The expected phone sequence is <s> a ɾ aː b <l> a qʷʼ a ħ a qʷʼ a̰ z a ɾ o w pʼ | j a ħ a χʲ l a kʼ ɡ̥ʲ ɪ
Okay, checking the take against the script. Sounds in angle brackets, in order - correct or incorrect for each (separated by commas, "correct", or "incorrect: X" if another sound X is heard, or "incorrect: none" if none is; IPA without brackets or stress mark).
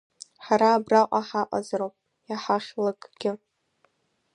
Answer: incorrect: ħ, incorrect: r